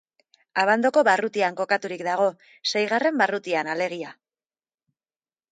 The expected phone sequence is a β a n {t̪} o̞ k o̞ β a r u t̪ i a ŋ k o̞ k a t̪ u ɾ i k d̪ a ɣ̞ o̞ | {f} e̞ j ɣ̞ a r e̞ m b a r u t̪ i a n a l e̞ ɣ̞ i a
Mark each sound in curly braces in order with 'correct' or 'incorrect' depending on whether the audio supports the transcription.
incorrect, incorrect

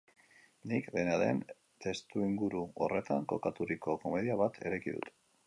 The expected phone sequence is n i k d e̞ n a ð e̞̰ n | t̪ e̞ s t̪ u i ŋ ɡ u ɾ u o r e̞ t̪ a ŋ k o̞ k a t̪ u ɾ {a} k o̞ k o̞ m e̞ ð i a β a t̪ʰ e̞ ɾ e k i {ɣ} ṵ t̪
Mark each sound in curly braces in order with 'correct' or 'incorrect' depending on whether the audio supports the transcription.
incorrect, incorrect

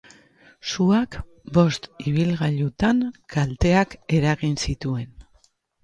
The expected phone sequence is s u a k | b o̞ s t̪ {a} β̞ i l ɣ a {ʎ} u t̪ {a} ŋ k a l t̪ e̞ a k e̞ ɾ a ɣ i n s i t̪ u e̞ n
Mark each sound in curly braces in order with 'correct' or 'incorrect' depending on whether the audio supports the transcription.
incorrect, correct, correct

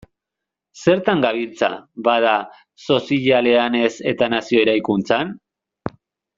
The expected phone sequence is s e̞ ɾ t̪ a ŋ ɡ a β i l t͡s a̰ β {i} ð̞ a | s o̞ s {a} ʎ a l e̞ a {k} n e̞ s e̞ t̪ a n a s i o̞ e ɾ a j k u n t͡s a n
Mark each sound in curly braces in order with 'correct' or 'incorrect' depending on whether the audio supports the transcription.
incorrect, incorrect, incorrect

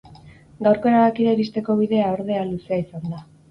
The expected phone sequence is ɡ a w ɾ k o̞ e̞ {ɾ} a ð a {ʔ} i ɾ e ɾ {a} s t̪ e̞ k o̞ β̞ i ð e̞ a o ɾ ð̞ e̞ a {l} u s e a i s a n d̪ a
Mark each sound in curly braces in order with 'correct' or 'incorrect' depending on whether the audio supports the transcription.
correct, incorrect, incorrect, correct

